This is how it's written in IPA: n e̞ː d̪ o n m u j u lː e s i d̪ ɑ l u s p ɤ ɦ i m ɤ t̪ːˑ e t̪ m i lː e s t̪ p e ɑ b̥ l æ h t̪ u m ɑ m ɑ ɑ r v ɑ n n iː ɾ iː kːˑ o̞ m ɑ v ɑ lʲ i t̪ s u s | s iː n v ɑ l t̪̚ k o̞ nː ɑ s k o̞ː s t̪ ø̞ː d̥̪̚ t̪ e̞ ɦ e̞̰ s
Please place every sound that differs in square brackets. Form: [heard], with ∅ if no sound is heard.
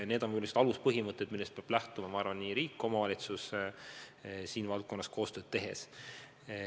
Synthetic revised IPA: n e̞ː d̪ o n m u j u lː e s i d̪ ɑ l u s p ɤ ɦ i m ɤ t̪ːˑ e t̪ m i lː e s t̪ p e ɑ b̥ l æ h t̪ u m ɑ m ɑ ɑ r v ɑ n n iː ɾ iː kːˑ o̞ m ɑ v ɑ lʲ i t̪ s u s | s iː n v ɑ l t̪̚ k o̞ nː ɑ s k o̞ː s t̪ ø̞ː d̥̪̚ t̪ e̞ ɦ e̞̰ s

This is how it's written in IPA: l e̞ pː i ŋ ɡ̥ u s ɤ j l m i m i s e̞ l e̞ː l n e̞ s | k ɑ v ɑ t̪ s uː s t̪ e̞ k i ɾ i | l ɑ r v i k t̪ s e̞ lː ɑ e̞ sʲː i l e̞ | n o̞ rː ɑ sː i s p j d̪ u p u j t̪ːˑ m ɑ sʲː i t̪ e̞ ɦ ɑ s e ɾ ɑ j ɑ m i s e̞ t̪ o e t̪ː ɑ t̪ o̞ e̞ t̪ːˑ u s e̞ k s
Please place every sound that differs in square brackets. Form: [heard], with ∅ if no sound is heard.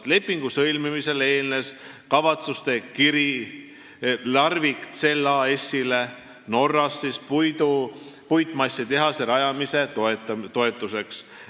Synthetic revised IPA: l e̞ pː i ŋ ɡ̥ u s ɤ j l m i m i s e̞ l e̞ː l n e̞ s | k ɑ v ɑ t̪ s [u] s t̪ e̞ k i ɾ i | l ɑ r v i k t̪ s e̞ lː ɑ e̞ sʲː i l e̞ | n o̞ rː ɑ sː i s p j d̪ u p u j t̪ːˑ m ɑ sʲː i t̪ e̞ ɦ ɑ s e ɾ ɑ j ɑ m i s e̞ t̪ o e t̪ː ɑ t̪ o̞ e̞ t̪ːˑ u s e̞ k s

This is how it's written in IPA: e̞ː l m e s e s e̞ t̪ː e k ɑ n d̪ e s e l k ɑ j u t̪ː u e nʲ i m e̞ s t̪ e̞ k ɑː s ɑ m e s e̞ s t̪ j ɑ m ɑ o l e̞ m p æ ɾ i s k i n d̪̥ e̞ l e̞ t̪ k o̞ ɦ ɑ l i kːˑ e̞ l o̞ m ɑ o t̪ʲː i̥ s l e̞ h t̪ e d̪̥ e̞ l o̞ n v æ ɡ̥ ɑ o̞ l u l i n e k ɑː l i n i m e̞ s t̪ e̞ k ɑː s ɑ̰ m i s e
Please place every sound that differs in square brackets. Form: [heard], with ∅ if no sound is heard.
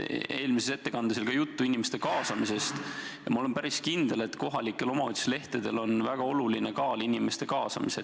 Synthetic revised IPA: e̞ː l m [i] s e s e̞ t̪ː e k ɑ n d̪ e s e l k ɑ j u t̪ː u [i] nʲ i m e̞ s t̪ e̞ k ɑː s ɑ m [i] s e̞ s t̪ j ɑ m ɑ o l e̞ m p æ ɾ i s k i n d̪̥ e̞ l e̞ t̪ k o̞ ɦ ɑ l i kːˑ e̞ l o̞ m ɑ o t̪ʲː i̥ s l e̞ h t̪ e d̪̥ e̞ l o̞ n v æ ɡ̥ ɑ o̞ l u l i n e k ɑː l i n i m e̞ s t̪ e̞ k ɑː s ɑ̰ m i s e

